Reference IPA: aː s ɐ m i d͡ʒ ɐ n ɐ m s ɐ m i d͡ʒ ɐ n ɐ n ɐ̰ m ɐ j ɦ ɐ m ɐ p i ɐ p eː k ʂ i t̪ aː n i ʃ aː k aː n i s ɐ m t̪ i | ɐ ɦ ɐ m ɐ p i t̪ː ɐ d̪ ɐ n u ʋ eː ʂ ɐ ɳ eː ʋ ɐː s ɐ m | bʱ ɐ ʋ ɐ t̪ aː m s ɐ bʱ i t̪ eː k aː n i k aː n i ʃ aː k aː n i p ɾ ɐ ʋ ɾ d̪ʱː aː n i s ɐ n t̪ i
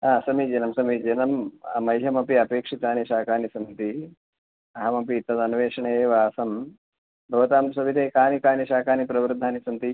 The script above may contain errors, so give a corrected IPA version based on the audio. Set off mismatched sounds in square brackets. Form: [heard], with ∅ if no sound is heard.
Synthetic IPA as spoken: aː s ɐ m i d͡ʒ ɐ n ɐ m s ɐ m i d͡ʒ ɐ n ɐ [m] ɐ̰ m ɐ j ɦ ɐ m ɐ p i ɐ p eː k ʂ i t̪ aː n i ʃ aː k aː n i s ɐ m t̪ i | ɐ ɦ ɐ m ɐ p i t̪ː ɐ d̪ ɐ n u ʋ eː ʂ ɐ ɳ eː ʋ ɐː s ɐ m | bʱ ɐ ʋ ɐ t̪ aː m s ɐ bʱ i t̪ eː k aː n i k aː n i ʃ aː k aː n i p ɾ ɐ ʋ ɾ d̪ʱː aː n i s ɐ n t̪ i